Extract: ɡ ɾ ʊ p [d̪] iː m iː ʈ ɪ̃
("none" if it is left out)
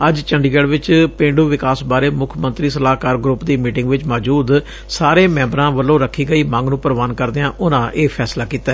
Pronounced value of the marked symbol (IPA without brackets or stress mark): d̪